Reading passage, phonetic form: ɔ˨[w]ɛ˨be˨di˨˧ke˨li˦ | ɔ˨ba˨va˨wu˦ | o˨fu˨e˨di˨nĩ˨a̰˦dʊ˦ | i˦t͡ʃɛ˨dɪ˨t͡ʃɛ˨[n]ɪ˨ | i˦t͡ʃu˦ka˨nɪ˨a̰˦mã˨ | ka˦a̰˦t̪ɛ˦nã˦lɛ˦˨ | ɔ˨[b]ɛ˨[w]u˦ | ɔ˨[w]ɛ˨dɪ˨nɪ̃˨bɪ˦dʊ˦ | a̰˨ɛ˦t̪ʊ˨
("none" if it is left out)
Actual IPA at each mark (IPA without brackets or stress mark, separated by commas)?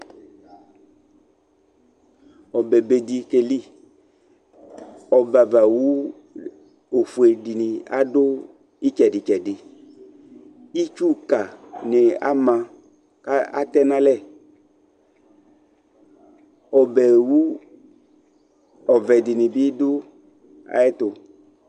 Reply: b, d, b, w, v